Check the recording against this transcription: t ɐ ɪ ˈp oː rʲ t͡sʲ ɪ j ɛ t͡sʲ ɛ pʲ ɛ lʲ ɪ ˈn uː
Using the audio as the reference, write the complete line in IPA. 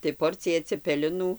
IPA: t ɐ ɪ ˈp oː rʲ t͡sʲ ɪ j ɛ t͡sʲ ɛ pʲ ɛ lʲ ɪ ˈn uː